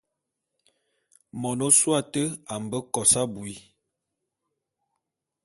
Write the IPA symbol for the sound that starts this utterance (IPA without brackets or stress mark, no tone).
m